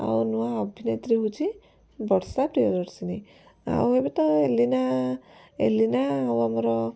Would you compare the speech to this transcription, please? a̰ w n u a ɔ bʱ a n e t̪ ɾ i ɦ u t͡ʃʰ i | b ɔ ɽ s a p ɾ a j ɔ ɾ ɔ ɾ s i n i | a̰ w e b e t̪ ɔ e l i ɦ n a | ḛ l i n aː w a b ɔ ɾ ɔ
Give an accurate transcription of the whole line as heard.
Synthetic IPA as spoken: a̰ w n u a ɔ bʱ i n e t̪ ɾ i ɦ u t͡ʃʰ i | b ɔ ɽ s a p ɾ i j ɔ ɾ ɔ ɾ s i n i | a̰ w e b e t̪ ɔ e l i n a | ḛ l i n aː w a m ɔ ɾ ɔ